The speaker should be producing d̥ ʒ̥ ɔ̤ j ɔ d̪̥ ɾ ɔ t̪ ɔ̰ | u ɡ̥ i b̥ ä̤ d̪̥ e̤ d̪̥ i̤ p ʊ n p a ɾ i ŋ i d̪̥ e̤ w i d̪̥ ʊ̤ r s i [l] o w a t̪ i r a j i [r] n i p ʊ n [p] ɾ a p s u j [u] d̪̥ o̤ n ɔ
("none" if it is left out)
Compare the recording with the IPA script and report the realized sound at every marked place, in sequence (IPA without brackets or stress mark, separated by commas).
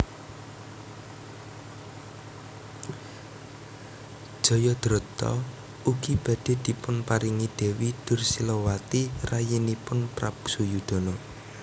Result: l, none, p, u